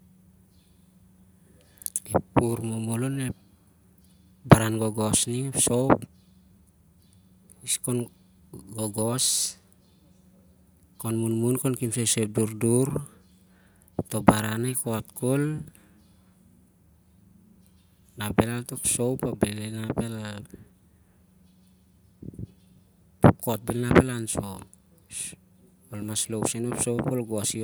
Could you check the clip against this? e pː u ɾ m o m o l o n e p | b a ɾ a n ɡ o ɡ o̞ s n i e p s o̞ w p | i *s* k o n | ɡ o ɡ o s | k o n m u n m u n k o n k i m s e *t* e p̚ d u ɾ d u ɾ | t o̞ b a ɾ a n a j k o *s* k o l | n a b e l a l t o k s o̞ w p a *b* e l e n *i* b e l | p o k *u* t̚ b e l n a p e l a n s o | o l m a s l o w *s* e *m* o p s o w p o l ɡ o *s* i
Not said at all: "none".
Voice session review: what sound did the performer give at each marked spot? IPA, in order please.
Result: s, s, t, b, a, o, s, n, s

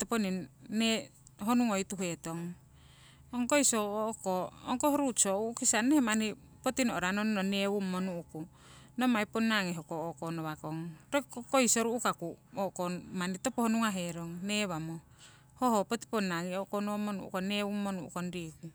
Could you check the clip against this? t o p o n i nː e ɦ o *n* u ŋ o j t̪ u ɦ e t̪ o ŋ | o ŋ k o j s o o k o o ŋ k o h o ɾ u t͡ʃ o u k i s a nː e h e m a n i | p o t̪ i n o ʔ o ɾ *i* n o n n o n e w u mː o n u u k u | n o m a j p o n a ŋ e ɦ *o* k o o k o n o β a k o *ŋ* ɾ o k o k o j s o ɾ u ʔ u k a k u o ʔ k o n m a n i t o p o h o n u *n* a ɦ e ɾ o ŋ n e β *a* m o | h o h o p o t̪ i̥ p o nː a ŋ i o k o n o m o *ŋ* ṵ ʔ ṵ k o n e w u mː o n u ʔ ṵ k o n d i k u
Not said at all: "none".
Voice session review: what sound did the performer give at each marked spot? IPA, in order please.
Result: n, a, o, ŋ, ŋ, a, n

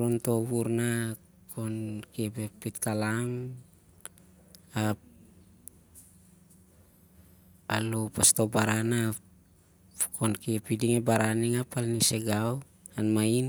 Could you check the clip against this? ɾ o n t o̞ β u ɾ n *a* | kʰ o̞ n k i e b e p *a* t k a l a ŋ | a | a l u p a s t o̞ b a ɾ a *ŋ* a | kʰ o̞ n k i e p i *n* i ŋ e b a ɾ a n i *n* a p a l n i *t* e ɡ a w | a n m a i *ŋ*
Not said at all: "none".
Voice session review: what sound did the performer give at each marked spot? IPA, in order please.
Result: a, i, n, d, ŋ, s, n

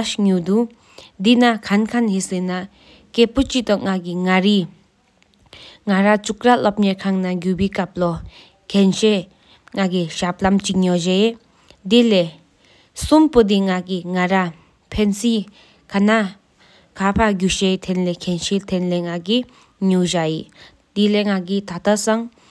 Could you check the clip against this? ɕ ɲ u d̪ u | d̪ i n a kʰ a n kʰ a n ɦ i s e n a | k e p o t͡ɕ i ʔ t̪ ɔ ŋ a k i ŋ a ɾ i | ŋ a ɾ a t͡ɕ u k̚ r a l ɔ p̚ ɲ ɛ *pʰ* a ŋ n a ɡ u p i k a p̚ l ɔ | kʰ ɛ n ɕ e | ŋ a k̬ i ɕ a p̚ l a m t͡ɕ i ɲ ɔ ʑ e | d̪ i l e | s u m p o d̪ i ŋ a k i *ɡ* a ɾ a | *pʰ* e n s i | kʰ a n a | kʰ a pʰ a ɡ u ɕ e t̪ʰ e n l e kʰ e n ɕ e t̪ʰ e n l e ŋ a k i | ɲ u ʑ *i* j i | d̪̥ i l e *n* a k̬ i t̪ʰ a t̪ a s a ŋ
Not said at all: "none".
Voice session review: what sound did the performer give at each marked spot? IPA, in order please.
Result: kʰ, ŋ, pʰ, a, ŋ

